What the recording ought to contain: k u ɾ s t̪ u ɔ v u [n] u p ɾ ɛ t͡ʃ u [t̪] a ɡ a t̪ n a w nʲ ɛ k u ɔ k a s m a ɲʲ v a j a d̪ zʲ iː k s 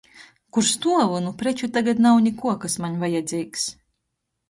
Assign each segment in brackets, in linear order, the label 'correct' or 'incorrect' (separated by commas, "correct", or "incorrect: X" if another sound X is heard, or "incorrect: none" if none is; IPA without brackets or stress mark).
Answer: correct, correct